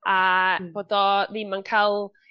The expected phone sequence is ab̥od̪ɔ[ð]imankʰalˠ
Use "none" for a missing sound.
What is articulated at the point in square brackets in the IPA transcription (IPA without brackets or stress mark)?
ð